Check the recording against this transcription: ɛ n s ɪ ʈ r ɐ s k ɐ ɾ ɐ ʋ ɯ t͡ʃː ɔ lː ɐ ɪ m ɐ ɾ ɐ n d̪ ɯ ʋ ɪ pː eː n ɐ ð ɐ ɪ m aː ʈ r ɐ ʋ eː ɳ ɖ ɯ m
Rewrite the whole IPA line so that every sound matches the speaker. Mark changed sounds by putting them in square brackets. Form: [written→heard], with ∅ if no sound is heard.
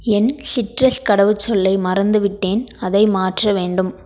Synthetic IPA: ɛ n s ɪ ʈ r ɐ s k ɐ [ɾ→ɽ] ɐ ʋ ɯ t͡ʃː ɔ lː ɐ ɪ m ɐ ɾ ɐ n d̪ ɯ ʋ ɪ [pː→ʈː] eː n ɐ ð ɐ ɪ m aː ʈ r ɐ ʋ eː ɳ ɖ ɯ m

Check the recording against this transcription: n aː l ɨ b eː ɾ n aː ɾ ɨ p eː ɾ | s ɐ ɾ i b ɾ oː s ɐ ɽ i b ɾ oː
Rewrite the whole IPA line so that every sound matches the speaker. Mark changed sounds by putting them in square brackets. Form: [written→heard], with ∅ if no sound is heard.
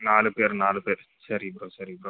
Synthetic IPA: n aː l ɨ [b→p] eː ɾ n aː [ɾ→l] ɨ p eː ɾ | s ɐ ɾ i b ɾ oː s ɐ [ɽ→ɾ] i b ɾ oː

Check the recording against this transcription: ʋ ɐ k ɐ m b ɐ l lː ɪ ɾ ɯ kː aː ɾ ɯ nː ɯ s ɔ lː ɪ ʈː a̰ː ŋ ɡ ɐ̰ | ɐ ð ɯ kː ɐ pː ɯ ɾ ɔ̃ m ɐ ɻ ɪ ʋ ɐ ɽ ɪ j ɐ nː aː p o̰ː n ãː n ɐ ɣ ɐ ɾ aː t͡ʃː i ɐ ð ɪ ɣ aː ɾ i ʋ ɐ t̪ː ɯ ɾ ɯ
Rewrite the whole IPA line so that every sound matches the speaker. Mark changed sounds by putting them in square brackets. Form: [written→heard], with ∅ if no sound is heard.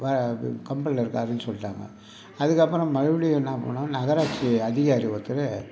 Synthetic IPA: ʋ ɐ k ɐ m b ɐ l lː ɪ ɾ ɯ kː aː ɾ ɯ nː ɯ s ɔ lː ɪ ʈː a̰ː ŋ ɡ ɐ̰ | ɐ ð ɯ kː ɐ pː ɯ ɾ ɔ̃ m ɐ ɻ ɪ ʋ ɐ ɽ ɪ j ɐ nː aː p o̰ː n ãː n ɐ ɣ ɐ ɾ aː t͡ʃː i ɐ ð ɪ ɣ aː ɾ i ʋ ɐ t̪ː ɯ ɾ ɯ

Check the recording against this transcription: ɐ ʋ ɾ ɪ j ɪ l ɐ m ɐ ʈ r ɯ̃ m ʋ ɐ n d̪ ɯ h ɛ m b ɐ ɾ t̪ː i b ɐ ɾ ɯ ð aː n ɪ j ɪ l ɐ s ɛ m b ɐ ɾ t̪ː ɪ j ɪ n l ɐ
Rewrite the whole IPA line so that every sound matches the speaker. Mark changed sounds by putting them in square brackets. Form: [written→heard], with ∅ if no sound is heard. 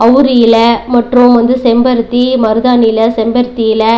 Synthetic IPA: ɐ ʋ ɾ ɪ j ɪ l ɐ m ɐ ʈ r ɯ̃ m ʋ ɐ n d̪ ɯ [h→s] ɛ m b ɐ ɾ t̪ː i [b→m] ɐ ɾ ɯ ð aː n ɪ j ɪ l ɐ s ɛ m b ɐ ɾ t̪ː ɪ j ɪ [n→∅] l ɐ

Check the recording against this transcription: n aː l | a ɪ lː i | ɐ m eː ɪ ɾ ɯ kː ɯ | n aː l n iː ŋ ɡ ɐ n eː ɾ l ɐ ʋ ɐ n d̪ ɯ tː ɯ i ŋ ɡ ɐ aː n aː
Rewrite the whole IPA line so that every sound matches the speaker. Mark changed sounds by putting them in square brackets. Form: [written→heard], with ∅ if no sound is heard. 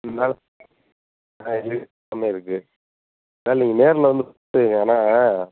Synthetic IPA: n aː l | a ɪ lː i | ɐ m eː ɪ ɾ ɯ kː ɯ | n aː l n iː ŋ ɡ ɐ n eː ɾ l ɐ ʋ ɐ n d̪ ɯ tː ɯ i ŋ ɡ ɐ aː n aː

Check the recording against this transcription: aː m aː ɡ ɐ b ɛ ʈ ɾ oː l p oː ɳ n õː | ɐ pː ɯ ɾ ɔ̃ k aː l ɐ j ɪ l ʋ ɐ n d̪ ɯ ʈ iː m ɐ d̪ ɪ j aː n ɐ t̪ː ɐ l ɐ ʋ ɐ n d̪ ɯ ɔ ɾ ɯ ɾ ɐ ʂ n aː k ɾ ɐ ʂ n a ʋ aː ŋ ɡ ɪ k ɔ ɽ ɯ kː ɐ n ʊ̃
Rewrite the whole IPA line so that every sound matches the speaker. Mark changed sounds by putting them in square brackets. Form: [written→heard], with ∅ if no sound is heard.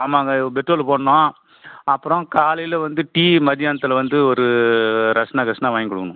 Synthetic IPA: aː m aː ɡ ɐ b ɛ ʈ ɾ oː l p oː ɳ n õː | ɐ pː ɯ ɾ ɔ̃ k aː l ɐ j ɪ l ʋ ɐ n d̪ ɯ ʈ iː m ɐ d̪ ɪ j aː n ɐ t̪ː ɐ l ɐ ʋ ɐ n d̪ ɯ ɔ ɾ ɯ ɾ ɐ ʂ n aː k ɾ ɐ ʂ n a ʋ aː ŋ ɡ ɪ k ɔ ɽ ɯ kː ɐ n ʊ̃

